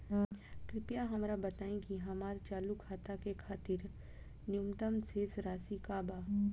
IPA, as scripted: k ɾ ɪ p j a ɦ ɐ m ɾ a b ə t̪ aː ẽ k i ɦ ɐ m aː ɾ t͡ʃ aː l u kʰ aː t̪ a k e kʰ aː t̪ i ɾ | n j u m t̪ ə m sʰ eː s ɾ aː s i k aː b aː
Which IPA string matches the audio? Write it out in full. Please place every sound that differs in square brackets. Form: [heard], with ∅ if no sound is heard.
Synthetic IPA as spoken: k ɾ ɪ p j a ɦ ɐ m ɾ a b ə t̪ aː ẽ k i ɦ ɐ m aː ɾ t͡ʃ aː l u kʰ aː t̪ a k e kʰ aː t̪ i ɾ | n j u m t̪ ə m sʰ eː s ɾ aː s i k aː b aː